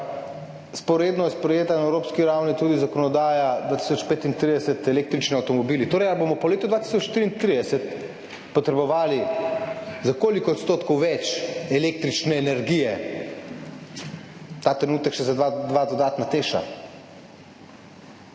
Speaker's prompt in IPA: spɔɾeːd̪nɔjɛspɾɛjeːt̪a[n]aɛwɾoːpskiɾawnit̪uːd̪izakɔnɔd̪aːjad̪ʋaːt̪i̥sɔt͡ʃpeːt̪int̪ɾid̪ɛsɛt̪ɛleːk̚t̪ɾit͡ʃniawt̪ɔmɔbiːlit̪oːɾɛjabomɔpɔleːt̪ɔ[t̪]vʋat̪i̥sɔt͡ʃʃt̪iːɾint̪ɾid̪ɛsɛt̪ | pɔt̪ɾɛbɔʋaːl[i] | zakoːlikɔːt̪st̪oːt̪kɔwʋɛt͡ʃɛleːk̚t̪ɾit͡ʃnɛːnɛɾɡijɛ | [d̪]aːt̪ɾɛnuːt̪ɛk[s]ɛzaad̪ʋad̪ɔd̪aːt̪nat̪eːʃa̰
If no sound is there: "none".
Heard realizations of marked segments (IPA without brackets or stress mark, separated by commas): n, d̪, i, t̪, ʃ